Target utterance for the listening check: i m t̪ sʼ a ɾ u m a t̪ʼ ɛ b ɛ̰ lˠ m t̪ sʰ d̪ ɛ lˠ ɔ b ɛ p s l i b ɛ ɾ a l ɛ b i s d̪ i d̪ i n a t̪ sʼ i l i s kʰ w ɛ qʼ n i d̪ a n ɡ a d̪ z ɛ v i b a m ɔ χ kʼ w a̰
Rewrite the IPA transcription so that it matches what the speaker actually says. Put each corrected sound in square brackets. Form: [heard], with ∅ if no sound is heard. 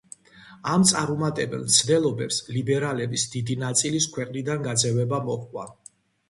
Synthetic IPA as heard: [a] m t̪ sʼ a ɾ u m a t̪ʼ ɛ b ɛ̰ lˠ m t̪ sʰ d̪ ɛ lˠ ɔ b ɛ p s l i b ɛ ɾ a l ɛ b i s d̪ i d̪ i n a t̪ sʼ i l i s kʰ w ɛ qʼ n i d̪ a n ɡ a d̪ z ɛ v [ɛ] b a m ɔ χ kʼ w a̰